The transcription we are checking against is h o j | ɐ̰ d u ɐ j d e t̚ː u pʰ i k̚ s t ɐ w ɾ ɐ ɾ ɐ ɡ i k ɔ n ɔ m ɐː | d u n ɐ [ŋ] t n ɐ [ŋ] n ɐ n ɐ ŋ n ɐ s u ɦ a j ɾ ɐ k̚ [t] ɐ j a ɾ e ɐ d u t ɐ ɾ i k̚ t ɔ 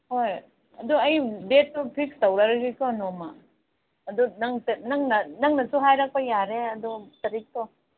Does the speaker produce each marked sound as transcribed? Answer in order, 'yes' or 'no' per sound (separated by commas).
yes, yes, no